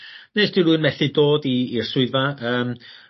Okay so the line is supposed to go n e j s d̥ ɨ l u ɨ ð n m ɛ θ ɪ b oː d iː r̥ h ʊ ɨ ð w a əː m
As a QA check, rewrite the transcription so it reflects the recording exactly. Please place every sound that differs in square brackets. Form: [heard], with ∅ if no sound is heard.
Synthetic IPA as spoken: n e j s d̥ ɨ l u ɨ [∅] n m ɛ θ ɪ [d] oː d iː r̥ [s] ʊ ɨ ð [v] a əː m